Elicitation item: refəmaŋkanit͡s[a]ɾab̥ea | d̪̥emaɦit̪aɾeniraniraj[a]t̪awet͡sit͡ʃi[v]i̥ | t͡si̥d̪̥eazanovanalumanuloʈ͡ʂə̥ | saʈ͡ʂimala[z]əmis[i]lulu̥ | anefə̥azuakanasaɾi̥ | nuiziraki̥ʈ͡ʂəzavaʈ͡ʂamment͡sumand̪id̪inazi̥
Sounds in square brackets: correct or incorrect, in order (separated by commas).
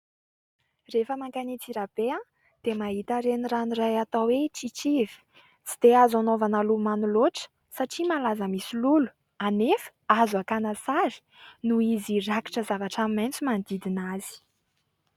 incorrect, correct, correct, correct, correct